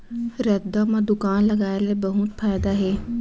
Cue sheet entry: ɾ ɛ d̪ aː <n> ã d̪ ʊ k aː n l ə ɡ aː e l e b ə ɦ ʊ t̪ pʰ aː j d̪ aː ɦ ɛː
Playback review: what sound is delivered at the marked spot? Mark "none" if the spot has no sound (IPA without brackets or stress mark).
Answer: m